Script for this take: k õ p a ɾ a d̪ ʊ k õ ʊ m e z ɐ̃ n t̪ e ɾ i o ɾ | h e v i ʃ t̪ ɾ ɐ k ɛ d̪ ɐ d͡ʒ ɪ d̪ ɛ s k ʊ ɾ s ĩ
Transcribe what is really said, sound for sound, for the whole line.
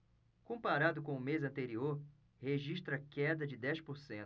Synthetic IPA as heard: k õ p a ɾ a d̪ ʊ k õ ʊ m e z ɐ̃ n t̪ e ɾ i o ɾ | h e ʒ i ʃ t̪ ɾ ɐ k ɛ d̪ ɐ d͡ʒ ɪ d̪ ɛ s p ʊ ɾ s ẽ

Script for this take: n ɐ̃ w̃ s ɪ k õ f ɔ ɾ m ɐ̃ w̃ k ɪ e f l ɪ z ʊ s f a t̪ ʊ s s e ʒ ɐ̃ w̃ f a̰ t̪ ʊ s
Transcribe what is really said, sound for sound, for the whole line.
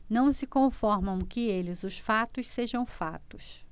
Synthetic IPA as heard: n ɐ̃ w̃ s ɪ k õ f ɔ ɾ m ɐ̃ w̃ k ɪ e l ɪ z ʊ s f a t̪ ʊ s s e ʒ ɐ̃ w̃ f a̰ t̪ ʊ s

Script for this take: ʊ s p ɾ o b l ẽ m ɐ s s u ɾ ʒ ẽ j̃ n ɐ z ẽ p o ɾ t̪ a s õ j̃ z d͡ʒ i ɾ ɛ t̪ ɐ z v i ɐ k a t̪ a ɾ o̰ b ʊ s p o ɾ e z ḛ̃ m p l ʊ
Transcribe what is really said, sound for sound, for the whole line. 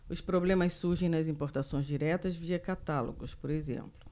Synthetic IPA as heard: ʊ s p ɾ o b l ẽ m ɐ s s u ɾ ʒ ẽ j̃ n ɐ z ĩ p o ɾ t̪ a s õ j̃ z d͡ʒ i ɾ ɛ t̪ ɐ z v i ɐ k a t̪ a l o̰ ɡ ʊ s p o ɾ e z ḛ̃ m p l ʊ

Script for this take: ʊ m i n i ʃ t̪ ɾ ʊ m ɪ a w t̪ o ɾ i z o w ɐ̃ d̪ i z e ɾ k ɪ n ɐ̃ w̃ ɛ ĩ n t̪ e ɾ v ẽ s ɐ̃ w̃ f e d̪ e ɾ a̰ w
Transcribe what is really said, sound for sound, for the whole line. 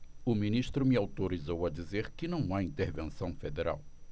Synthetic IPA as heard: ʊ m i n i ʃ t̪ ɾ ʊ m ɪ a w t̪ o ɾ i z o w ɐ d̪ i z e ɾ k ɪ n ɐ̃ w̃ a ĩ n t̪ e ɾ v ẽ s ɐ̃ w̃ f e d̪ e ɾ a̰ w

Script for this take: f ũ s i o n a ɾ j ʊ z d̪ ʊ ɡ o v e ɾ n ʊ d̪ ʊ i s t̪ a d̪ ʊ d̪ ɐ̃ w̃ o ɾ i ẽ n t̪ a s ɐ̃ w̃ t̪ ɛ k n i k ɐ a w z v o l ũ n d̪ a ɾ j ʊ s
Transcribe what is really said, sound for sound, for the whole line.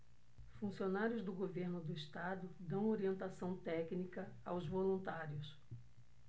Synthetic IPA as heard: f ũ s i o n a ɾ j ʊ z d̪ ʊ ɡ o v e ɾ n ʊ d̪ ʊ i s t̪ a d̪ ʊ d̪ ɐ̃ w̃ o ɾ i ẽ n t̪ a s ɐ̃ w̃ t̪ ɛ k n i k ɐ a w z v o l ũ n t̪ a ɾ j ʊ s

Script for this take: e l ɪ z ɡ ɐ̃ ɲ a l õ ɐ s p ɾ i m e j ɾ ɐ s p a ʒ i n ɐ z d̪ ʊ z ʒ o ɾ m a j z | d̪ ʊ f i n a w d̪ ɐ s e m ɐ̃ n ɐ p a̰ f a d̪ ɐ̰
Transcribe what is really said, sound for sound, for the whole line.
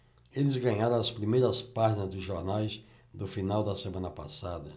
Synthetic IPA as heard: e l ɪ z ɡ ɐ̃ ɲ a ɾ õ ɐ s p ɾ i m e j ɾ ɐ s p a ʒ i n ɐ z d̪ ʊ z ʒ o ɾ n a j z | d̪ ʊ f i n a w d̪ ɐ s e m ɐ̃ n ɐ p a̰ s a d̪ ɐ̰

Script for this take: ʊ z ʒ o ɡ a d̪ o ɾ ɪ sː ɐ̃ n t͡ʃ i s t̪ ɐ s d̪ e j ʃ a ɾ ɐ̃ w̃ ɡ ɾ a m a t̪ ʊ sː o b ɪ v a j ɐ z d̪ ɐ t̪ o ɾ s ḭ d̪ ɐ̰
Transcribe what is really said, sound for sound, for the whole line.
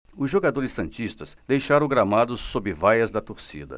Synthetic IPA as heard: ʊ z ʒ o ɡ a d̪ o ɾ ɪ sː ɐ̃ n t͡ʃ i s t̪ ɐ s d̪ e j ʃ a ɾ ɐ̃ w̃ ɡ ɾ a m a d̪ ʊ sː o b ɪ v a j ɐ z d̪ ɐ t̪ o ɾ s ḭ d̪ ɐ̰

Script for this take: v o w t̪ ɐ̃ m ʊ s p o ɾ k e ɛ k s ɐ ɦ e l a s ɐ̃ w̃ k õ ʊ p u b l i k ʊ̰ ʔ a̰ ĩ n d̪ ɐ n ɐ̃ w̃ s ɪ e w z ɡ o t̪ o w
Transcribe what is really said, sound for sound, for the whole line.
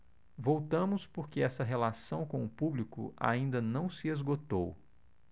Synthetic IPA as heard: v o w t̪ ɐ̃ m ʊ s p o ɾ k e ɛ s ɐ ɦ e l a s ɐ̃ w̃ k õ ʊ p u b l i k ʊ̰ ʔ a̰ ĩ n d̪ ɐ n ɐ̃ w̃ s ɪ e z ɡ o t̪ o w

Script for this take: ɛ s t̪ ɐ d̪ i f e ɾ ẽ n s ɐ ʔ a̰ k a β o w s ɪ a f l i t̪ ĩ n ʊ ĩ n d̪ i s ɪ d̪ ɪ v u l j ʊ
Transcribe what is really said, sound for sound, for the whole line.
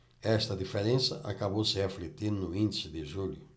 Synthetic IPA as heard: ɛ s t̪ ɐ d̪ i f e ɾ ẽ n s ɐ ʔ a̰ k a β o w s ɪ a f l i t̪ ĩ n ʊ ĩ n d̪ i s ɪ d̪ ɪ ʒ u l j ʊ

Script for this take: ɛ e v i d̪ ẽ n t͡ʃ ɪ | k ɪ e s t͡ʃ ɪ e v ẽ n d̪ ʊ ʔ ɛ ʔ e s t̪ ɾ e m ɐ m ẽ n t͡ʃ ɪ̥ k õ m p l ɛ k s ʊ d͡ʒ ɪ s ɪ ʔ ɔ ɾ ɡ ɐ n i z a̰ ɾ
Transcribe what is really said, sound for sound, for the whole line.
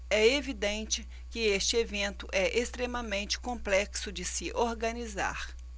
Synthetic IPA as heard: ɛ e v i d̪ ẽ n t͡ʃ ɪ | k ɪ e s t͡ʃ ɪ e v ẽ n t̪ ʊ ʔ ɛ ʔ e s t̪ ɾ e m ɐ m ẽ n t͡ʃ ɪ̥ k õ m p l ɛ k s ʊ d͡ʒ ɪ s ɪ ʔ o ɾ ɡ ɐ n i z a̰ ɾ

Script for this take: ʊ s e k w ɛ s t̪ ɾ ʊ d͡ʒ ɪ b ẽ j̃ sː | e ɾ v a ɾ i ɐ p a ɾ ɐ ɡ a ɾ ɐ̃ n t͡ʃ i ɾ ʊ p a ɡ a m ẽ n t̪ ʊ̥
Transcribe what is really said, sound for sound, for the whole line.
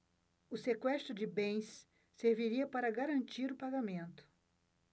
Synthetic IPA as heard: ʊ s e k w ɛ s t̪ ɾ ʊ d͡ʒ ɪ b ẽ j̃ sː | e ɾ v i ɾ i ɐ p a ɾ ɐ ɡ a ɾ ɐ̃ n t͡ʃ i ɾ ʊ p a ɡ a m ẽ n t̪ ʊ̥

